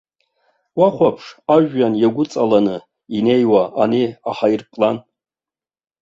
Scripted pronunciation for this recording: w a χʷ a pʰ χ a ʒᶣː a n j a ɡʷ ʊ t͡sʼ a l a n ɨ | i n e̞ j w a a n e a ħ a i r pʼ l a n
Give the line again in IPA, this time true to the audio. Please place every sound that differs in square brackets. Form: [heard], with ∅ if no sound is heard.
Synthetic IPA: w a χʷ a pʰ [ʂ] a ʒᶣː a n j a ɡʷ ʊ t͡sʼ a l a n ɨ | i n e̞ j w a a n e a ħ a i r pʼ l a n